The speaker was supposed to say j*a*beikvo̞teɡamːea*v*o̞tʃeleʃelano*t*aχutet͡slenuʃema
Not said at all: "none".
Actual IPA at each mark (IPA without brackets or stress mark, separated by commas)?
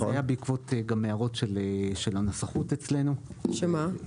a, ʁ, s